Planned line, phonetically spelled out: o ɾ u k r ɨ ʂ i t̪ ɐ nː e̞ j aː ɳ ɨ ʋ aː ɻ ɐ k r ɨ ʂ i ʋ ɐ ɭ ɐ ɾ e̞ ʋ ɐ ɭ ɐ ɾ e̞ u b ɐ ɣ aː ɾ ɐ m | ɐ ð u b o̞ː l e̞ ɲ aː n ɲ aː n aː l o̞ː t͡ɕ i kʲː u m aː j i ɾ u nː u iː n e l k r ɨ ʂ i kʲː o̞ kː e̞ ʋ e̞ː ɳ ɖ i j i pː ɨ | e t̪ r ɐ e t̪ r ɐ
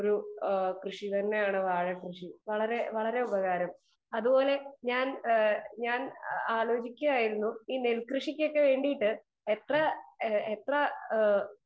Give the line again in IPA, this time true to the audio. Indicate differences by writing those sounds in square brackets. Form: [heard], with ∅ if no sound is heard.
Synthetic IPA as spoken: o ɾ u k r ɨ ʂ i t̪ ɐ nː e̞ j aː ɳ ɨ ʋ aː ɻ ɐ k r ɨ ʂ i ʋ ɐ ɭ ɐ ɾ e̞ ʋ ɐ ɭ ɐ ɾ e̞ u b ɐ ɣ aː ɾ ɐ m | ɐ ð u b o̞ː l e̞ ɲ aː n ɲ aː n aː l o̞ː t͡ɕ i kʲː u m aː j i ɾ u nː u iː n e l k r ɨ ʂ i kʲː o̞ kː e̞ ʋ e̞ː ɳ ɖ i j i [ʈː] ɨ | e t̪ r ɐ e t̪ r ɐ